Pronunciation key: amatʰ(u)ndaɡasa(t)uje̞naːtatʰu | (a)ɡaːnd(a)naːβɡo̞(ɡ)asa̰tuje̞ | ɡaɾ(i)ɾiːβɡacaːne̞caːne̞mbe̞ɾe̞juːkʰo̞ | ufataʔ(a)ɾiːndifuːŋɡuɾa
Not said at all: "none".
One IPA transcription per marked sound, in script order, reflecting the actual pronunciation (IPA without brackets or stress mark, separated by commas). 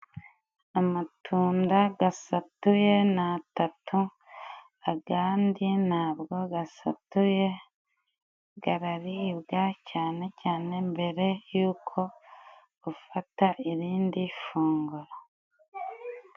uː, t, a, i, ɡ, a, i